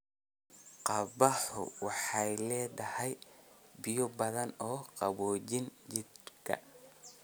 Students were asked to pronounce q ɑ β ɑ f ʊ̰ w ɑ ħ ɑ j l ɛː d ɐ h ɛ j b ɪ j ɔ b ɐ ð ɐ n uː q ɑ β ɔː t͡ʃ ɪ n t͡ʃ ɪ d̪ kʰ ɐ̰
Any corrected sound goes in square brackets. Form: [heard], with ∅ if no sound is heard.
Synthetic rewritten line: q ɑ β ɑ [ħ] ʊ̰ w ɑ ħ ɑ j l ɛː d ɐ h ɛ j b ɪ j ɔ b ɐ ð ɐ n [ɔː] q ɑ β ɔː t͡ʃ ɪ n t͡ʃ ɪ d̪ kʰ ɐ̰

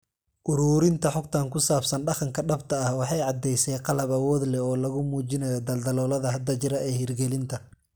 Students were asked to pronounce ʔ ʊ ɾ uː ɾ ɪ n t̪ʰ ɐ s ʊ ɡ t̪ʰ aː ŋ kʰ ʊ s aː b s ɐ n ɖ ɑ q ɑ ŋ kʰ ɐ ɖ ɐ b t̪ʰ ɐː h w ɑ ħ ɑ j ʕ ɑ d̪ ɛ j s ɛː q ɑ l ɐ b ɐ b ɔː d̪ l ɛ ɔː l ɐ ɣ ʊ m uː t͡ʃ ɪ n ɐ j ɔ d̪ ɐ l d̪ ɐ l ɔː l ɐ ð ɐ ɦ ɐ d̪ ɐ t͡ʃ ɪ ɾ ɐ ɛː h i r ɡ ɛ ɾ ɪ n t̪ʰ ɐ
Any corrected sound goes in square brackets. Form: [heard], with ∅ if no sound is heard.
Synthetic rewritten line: ʔ ʊ ɾ uː ɾ ɪ n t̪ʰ ɐ [ħ] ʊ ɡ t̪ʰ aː ŋ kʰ ʊ s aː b s ɐ n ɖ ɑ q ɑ ŋ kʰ ɐ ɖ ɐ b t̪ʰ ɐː h w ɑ ħ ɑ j ʕ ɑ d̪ ɛ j s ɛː q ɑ l ɐ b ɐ [w] ɔː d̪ l ɛ ɔː l ɐ ɣ ʊ m uː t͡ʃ ɪ n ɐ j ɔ d̪ ɐ l d̪ ɐ l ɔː l ɐ ð ɐ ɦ ɐ d̪ ɐ t͡ʃ ɪ ɾ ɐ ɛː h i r ɡ ɛ [l] ɪ n t̪ʰ ɐ

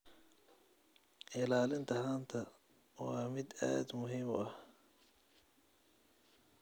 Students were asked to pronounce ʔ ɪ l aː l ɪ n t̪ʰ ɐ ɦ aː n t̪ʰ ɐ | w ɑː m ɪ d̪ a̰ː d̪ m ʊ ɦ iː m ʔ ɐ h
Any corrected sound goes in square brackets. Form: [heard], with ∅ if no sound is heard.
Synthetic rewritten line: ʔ ɪ l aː l ɪ n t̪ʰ ɐ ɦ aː n t̪ʰ ɐ | w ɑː m ɪ d̪ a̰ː d̪ m ʊ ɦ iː m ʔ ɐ h

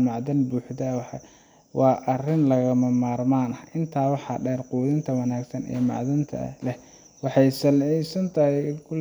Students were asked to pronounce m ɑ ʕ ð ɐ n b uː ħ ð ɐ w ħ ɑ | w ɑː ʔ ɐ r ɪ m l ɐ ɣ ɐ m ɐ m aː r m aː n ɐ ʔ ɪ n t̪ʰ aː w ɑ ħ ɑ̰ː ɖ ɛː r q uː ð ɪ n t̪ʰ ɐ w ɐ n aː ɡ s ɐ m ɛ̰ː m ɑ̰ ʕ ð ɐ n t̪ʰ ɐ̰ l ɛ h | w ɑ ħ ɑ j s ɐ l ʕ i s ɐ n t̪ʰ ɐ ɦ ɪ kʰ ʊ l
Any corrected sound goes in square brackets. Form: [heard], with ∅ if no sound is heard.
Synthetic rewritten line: m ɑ ʕ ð ɐ n b uː ħ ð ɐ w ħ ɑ | w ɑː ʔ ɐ r ɪ [n] l ɐ ɣ ɐ m ɐ m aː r m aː n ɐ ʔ ɪ n t̪ʰ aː w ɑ ħ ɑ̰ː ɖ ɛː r q uː ð ɪ n t̪ʰ ɐ w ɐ n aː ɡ s ɐ [n] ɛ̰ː m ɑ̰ ʕ ð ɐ n t̪ʰ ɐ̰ l ɛ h | w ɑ ħ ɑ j s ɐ l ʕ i s ɐ n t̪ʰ ɐ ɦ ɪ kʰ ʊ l

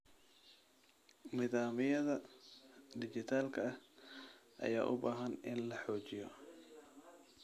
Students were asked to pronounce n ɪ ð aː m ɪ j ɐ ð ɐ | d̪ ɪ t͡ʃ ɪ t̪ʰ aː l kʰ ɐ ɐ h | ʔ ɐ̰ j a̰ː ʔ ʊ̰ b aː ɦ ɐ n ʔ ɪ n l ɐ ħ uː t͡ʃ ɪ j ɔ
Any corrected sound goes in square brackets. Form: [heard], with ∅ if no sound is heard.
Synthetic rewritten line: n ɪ ð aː m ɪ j ɐ ð ɐ | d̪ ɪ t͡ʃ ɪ t̪ʰ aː l kʰ ɐ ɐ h | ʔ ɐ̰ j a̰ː ʔ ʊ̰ b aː ɦ ɐ n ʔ ɪ n l ɐ ħ [ɔː] t͡ʃ ɪ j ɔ

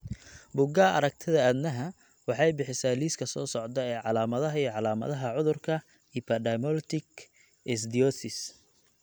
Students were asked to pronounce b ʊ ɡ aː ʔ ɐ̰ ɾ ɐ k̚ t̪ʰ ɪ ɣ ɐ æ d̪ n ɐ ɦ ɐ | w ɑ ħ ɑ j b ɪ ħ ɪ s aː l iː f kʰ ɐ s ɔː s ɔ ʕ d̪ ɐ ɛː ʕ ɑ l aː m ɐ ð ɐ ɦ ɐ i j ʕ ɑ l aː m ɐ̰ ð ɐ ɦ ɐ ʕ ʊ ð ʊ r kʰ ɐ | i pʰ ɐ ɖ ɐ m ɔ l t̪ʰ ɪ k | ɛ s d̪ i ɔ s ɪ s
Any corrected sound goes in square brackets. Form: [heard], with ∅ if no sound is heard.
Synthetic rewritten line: b ʊ ɡ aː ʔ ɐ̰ ɾ ɐ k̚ t̪ʰ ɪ [ð] ɐ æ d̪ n ɐ ɦ ɐ | w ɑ ħ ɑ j b ɪ ħ ɪ s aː l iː [s] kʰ ɐ s ɔː s ɔ ʕ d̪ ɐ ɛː ʕ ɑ l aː m ɐ ð ɐ ɦ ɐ i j ʕ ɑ l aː m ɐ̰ ð ɐ ɦ ɐ ʕ ʊ ð ʊ r kʰ ɐ | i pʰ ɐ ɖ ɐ m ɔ l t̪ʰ ɪ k | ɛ s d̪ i ɔ s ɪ s

